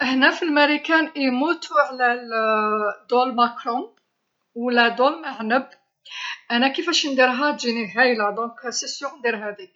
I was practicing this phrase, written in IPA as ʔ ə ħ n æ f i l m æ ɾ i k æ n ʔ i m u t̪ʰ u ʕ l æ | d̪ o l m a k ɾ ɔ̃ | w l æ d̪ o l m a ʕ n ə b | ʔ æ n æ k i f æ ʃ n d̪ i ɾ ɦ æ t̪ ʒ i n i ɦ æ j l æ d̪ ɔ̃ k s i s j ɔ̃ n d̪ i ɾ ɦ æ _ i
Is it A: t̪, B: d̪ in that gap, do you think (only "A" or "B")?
B